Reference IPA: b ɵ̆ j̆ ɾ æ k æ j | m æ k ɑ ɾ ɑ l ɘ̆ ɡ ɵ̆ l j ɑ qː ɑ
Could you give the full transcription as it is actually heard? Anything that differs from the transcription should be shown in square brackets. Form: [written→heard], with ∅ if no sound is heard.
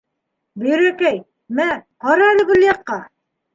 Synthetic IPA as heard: b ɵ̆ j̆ ɾ æ k æ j | m æ [k→q] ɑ ɾ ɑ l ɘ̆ ɡ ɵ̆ l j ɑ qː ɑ